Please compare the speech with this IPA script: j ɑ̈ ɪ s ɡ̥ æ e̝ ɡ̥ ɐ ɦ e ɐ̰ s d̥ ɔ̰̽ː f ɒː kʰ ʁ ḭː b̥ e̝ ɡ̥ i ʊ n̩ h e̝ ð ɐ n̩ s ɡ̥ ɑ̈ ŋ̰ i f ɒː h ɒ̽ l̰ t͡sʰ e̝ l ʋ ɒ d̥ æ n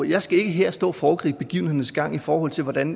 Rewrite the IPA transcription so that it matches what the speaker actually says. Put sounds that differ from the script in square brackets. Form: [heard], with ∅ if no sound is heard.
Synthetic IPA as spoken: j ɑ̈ ɪ s ɡ̥ æ e̝ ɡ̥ [ə] ɦ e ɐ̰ s d̥ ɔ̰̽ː f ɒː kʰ ʁ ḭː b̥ e̝ ɡ̥ i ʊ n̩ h e̝ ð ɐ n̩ s ɡ̥ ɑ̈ ŋ̰ i f ɒː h ɒ̽ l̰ t͡sʰ e̝ l ʋ ɒ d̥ æ n